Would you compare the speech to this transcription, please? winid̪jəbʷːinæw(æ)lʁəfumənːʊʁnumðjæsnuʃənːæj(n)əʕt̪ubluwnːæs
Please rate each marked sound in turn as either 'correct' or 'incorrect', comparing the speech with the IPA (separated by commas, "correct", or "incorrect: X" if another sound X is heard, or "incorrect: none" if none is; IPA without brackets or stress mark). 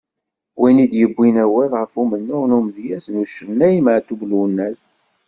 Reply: correct, incorrect: m